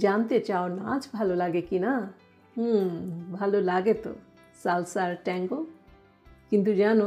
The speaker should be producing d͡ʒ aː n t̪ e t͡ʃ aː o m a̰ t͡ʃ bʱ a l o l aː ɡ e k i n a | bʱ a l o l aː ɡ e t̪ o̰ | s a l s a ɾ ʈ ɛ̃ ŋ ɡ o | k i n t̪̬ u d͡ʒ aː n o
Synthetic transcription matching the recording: d͡ʒ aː n t̪ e t͡ʃ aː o n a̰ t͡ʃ bʱ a l o l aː ɡ e k i n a | bʱ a l o l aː ɡ e t̪ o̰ | s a l s a ɾ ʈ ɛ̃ ŋ ɡ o | k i n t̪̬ u d͡ʒ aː n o